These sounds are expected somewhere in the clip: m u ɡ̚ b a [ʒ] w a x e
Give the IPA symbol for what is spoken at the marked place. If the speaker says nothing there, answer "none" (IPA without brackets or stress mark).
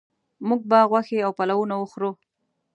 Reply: ɣ